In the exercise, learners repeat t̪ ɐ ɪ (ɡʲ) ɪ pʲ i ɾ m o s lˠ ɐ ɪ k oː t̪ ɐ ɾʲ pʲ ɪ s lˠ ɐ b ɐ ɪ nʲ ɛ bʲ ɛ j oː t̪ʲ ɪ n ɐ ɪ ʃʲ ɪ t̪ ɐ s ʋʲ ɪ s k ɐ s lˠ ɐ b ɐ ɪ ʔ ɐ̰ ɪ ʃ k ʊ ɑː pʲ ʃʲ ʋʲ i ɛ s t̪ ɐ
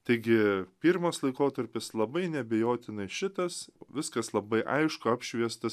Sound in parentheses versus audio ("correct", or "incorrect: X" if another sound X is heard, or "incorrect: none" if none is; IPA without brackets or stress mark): correct